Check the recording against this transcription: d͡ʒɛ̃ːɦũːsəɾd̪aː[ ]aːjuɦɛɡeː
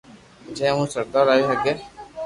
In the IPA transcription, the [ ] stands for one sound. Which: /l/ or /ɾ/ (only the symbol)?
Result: ɾ